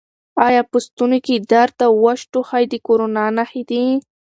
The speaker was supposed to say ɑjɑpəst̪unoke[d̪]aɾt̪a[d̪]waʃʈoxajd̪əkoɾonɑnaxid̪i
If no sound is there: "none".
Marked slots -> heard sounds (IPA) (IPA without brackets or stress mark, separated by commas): d̪, none